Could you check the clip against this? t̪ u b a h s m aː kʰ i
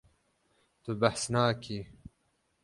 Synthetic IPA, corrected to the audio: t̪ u b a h s n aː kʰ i